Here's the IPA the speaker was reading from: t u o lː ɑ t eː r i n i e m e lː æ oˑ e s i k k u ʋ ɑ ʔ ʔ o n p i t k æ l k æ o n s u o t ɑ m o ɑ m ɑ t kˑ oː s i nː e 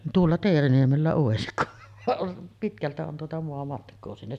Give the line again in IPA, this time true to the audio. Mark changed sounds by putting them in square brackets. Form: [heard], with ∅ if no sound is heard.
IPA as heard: t u o lː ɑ t eː r i n i e m e lː æ oˑ e s i k k u ʋ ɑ ʔ ʔ o n p i t k æ l [t] æ o n [t] u o t ɑ m o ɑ m ɑ t kˑ oː s i nː e